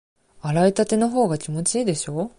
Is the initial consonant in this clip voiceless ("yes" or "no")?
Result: no